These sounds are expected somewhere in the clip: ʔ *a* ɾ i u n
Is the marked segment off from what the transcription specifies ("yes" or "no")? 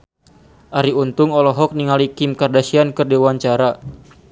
no